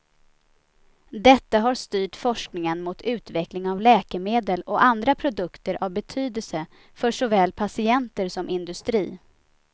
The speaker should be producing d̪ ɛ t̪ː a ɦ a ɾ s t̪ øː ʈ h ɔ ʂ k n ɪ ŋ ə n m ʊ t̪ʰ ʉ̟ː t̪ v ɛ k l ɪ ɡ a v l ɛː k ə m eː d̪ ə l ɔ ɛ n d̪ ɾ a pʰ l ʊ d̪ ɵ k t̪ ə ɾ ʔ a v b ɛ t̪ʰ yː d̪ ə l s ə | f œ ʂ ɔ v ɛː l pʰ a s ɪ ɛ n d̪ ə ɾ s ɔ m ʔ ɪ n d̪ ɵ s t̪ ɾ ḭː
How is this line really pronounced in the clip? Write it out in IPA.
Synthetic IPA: d̪ ɛ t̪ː a ɦ a ɾ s t̪ yː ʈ f ɔ ʂ k n ɪ ŋ ə n m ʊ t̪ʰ ʉ̟ː t̪ v ɛ k l ɪ ŋ a v l ɛː k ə m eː d̪ ə l ɔ a n d̪ ɾ a pʰ ɾ ʊ d̪ ɵ k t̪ ə ɾ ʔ a v b ɛ t̪ʰ yː d̪ ə l s ə | f œ ʂ ɔ v ɛː l pʰ a s ɪ ɛ n t̪ ə ɾ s ɔ m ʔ ɪ n d̪ ɵ s t̪ ɾ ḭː